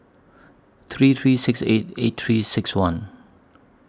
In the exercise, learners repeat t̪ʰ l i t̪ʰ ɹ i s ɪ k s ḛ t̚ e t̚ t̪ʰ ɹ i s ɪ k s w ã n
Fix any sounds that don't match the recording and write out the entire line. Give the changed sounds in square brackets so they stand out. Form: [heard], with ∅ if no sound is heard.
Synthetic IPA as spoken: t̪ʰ [ɹ] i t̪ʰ ɹ i s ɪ k s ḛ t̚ e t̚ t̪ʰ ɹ i s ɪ k s w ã n